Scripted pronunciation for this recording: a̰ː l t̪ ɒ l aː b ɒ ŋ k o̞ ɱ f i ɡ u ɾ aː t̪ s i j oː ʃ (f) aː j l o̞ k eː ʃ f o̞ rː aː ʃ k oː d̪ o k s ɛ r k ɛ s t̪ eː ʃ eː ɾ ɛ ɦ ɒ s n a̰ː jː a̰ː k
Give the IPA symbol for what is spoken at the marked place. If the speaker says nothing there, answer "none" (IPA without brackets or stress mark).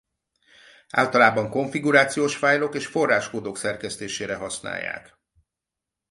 f